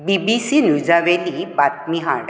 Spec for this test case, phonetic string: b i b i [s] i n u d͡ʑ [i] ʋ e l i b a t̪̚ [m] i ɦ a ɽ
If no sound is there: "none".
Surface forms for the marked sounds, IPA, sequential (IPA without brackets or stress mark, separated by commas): s, a, m